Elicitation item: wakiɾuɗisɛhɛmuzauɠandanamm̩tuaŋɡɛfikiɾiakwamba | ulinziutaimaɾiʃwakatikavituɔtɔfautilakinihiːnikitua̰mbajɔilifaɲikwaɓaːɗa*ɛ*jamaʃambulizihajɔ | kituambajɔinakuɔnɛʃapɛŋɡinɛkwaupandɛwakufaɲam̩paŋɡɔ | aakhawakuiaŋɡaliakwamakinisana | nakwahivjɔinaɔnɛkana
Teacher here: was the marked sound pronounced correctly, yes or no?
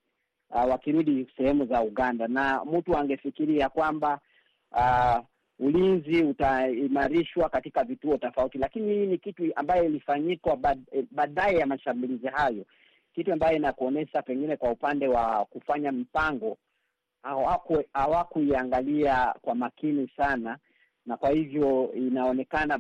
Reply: yes